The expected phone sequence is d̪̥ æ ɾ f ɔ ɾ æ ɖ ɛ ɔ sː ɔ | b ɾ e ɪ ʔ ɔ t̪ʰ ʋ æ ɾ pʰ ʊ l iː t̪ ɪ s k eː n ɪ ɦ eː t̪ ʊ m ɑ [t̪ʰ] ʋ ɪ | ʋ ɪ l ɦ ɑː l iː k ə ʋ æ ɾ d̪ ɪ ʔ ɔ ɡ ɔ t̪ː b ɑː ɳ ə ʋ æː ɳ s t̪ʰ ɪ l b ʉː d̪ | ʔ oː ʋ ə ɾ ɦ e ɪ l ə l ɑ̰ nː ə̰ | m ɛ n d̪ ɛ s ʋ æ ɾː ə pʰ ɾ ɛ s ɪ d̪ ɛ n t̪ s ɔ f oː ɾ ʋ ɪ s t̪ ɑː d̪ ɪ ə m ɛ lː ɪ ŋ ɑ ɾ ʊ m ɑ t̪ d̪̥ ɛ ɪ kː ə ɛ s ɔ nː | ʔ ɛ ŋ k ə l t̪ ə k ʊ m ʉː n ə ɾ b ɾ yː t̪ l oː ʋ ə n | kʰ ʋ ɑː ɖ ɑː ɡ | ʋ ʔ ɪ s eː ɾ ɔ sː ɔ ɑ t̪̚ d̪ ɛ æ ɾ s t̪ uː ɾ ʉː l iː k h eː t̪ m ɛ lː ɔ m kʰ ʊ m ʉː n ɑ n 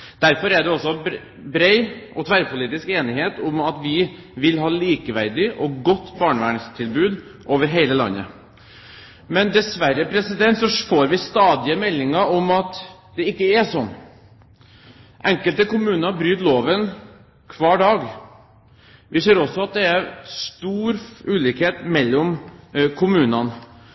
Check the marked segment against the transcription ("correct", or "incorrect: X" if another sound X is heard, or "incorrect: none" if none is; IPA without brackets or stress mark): incorrect: t̪